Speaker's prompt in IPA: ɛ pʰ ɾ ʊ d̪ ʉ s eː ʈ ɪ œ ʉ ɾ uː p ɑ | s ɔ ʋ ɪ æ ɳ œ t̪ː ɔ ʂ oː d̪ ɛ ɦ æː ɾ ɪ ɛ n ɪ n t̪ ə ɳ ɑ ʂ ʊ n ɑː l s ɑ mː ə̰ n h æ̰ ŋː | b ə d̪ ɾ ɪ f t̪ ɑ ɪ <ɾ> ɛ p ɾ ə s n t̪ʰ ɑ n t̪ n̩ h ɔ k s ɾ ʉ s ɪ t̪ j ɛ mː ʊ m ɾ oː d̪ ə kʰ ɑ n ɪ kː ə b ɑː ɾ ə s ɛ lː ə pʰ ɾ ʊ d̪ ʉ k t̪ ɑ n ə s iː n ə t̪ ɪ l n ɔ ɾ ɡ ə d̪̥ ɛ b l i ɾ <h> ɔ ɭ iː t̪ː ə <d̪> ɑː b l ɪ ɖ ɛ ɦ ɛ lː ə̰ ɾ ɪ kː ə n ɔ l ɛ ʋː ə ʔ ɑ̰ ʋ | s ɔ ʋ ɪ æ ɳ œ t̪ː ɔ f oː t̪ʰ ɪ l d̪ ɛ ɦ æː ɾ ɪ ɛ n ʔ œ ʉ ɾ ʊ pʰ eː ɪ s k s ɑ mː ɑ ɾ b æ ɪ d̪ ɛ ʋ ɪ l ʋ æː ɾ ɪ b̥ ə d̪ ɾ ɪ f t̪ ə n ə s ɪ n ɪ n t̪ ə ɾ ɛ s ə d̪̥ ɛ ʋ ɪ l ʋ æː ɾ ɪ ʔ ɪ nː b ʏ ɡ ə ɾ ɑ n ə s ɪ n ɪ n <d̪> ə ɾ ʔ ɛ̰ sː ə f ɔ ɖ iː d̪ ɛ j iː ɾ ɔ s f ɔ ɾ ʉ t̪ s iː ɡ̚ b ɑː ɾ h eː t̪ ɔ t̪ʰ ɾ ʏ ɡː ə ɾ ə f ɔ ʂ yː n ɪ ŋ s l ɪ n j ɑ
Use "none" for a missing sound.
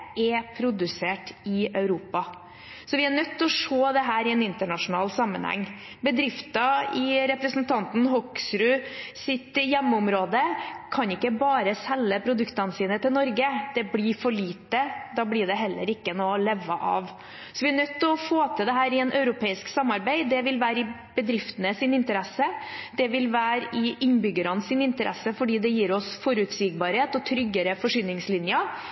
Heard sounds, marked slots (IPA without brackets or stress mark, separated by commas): ɾ, f, d̪, t̪